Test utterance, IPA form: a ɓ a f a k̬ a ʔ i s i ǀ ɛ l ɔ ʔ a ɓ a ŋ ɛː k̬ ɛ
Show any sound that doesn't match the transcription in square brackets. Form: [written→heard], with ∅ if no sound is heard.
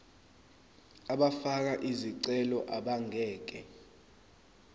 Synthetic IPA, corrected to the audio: a ɓ a f a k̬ a ʔ i [s→z] i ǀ ɛ l ɔ ʔ a ɓ a ŋ ɛː k̬ ɛ